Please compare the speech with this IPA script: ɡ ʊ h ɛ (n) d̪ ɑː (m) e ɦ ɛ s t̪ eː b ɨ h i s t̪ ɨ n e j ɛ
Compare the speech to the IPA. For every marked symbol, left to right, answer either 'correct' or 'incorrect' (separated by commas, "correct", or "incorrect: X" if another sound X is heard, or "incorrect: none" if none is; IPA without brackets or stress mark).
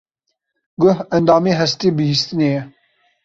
correct, correct